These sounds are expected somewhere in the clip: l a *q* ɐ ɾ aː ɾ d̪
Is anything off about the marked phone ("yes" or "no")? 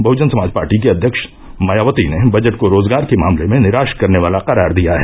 no